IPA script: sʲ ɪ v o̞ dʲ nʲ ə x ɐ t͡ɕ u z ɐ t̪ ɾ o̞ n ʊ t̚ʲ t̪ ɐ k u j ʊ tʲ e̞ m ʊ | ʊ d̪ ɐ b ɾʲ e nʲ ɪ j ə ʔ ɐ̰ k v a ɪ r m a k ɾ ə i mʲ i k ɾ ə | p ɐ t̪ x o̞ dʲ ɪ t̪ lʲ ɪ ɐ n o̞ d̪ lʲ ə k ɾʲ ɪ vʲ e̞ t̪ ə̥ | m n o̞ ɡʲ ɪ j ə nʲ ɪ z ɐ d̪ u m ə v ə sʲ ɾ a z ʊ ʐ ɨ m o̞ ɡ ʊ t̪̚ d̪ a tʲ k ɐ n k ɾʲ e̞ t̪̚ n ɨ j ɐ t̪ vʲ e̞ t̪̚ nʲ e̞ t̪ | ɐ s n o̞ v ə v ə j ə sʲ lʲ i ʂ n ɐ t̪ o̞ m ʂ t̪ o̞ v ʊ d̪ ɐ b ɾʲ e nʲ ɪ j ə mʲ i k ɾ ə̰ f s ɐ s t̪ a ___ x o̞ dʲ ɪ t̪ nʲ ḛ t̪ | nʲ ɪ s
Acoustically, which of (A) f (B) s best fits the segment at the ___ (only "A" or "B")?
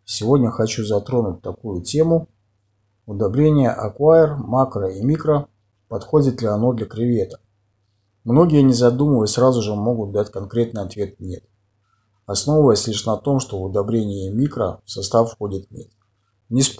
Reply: A